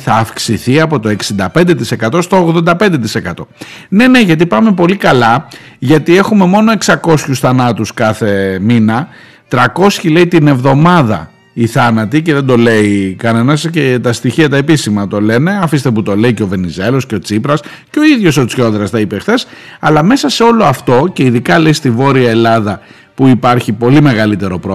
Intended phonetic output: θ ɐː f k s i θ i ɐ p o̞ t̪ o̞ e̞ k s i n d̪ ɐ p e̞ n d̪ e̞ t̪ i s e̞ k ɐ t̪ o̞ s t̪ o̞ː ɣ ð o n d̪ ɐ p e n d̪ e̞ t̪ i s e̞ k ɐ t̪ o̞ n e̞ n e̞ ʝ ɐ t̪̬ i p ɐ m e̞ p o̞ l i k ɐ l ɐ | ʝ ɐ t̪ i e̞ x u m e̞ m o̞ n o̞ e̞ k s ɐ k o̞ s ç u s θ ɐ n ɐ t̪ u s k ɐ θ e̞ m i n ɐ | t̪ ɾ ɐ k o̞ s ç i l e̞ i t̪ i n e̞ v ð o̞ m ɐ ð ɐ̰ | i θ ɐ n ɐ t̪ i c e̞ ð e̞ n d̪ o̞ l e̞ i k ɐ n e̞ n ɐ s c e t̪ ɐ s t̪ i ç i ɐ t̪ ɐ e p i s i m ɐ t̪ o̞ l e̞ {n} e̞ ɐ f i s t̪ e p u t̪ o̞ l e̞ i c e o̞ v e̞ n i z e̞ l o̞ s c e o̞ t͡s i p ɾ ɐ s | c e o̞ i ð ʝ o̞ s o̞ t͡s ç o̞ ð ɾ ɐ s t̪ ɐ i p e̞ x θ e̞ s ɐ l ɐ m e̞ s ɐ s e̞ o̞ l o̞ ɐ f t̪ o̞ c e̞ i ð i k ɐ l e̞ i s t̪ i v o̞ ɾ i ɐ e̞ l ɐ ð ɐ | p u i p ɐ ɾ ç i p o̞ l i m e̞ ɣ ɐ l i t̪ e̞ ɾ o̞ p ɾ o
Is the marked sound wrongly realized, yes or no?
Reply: no